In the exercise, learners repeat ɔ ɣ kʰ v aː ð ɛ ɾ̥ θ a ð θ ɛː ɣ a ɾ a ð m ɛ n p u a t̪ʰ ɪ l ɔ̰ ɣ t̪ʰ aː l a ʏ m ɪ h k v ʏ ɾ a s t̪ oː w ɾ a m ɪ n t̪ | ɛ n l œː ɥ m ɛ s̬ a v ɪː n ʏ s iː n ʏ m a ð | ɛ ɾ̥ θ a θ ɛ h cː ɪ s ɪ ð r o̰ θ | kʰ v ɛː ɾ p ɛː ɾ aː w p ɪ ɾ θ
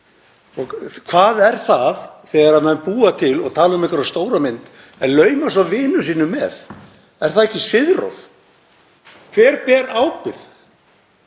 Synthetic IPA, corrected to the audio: ɔ ɣ kʰ v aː ð ɛ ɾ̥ θ a ð θ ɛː ɣ a ɾ a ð m ɛ n p uː a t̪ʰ ɪ l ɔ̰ ɣ t̪ʰ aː l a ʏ m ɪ h k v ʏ ɾ a s t̪ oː w ɾ a m ɪ n t̪ | ɛ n l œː ɥ m a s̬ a v ɪː n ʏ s iː n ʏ m ɛ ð | ɛ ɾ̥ θ a ð ɛ h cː ɪ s ɪ ð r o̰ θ | kʰ v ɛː ɾ p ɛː ɾ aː w p ɪ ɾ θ